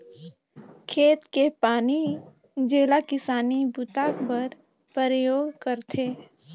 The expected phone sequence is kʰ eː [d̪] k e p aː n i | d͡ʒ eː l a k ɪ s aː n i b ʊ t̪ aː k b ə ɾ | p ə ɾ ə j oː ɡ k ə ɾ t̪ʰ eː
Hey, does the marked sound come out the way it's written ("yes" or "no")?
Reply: no